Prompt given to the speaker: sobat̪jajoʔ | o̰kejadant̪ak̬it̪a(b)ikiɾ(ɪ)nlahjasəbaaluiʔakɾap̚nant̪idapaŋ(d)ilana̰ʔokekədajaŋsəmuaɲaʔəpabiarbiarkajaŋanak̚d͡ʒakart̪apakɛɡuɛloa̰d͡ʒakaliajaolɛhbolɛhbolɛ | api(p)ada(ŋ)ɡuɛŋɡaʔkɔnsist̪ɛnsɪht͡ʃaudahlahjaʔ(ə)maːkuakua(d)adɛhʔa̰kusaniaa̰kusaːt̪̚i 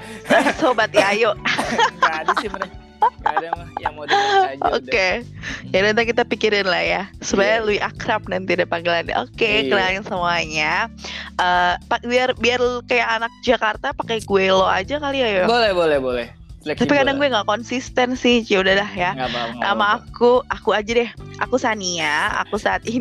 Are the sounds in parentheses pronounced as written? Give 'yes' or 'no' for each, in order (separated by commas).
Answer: no, yes, no, no, yes, no, no